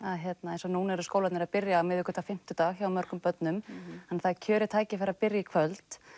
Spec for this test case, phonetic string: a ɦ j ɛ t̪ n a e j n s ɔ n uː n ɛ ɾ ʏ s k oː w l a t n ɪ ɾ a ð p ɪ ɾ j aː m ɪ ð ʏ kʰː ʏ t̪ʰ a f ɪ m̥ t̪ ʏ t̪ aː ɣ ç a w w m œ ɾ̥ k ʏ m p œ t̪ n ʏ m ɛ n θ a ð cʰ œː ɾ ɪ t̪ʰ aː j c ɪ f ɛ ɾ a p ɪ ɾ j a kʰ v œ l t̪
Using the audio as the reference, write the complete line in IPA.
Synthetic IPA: a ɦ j ɛ t̪ n a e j n s ɔ n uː n ɛ ɾ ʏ s k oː w l a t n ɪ ɾ a ð p ɪ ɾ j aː m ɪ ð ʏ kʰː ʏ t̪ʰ a f ɪ m̥ t̪ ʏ t̪ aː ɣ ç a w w m œ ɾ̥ k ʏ m p œ t̪ n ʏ m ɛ n θ a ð cʰ œː ɾ ɪ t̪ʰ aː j c ɪ f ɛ ɾ a p ɪ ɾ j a kʰ v œ l t̪